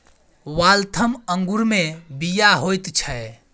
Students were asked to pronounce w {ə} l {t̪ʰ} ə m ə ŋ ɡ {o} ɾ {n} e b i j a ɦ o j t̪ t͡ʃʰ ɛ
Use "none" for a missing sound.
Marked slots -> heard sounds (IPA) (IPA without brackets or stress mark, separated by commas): a, t̪ʰ, u, m